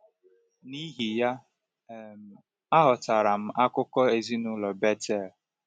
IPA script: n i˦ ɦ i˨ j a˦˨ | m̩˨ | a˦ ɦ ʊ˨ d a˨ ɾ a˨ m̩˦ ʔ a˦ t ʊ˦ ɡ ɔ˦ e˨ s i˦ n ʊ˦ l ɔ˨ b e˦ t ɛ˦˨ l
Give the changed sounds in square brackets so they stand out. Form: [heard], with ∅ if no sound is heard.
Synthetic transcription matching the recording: n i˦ ɦ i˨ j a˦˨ | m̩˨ | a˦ ɦ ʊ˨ [t] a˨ ɾ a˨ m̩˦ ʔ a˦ [k] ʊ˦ [k] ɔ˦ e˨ [z] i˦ n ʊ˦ l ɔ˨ b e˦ t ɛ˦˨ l